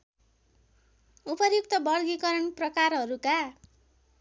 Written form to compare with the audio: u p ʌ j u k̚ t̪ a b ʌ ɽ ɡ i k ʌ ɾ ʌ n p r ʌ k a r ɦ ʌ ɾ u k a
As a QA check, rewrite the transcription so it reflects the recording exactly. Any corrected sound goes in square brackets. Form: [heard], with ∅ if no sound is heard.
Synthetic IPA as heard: u p ʌ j u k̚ t̪ [ʌ] b ʌ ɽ ɡ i k ʌ ɾ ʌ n p r ʌ k a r ɦ ʌ ɾ u k a